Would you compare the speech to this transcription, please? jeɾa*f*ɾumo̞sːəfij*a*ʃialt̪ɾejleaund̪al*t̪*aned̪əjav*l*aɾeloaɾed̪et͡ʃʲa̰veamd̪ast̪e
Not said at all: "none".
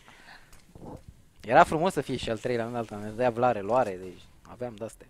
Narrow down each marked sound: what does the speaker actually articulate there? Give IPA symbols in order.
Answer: f, e, t̪, l

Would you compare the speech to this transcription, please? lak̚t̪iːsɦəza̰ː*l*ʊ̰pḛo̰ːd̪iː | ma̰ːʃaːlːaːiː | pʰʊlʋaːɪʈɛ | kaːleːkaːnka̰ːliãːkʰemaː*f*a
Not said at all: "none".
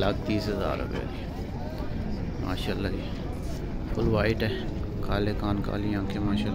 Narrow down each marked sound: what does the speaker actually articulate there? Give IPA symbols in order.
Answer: ɾ, ʃ

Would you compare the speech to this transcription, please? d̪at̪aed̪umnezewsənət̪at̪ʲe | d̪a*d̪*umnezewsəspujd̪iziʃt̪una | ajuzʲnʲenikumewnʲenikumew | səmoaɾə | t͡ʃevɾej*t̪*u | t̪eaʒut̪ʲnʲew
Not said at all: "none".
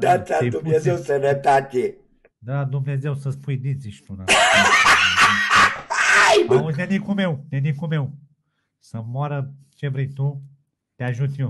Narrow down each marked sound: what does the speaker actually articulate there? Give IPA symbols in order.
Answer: d̪, t̪

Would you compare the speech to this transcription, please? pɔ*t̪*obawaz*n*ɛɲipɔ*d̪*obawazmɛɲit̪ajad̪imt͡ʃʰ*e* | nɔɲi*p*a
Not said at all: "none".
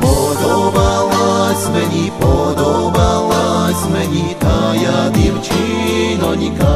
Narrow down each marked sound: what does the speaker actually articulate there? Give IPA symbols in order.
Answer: d̪, m, d̪, i, k

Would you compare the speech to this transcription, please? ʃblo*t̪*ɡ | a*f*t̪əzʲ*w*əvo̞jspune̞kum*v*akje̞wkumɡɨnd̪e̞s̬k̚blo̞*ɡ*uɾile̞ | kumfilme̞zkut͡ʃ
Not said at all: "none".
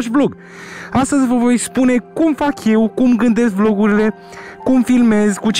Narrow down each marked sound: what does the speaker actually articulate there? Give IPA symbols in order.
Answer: none, s, v, f, ɡ

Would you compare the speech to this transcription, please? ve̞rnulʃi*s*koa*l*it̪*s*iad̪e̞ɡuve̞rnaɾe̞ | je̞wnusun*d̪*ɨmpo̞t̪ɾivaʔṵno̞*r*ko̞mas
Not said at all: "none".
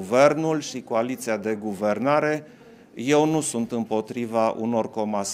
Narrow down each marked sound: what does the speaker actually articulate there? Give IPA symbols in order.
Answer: none, l, s, t̪, r

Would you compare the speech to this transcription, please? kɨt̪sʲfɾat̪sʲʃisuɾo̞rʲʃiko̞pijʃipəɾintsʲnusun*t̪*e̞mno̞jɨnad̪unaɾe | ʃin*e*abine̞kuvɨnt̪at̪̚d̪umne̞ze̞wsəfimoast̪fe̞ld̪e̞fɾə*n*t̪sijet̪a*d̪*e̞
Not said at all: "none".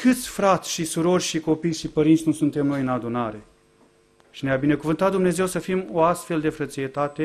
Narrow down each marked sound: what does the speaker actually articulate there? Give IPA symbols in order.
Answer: t̪, e, none, t̪

